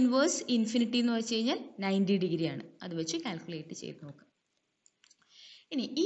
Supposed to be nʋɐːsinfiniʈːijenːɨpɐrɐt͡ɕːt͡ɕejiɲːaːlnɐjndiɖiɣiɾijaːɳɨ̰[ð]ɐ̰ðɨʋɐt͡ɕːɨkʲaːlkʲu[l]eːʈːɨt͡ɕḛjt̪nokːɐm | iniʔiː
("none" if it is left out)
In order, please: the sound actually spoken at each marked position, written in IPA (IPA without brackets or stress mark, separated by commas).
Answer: none, l